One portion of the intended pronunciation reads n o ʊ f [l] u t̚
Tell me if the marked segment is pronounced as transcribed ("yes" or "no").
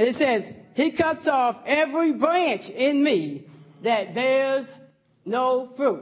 no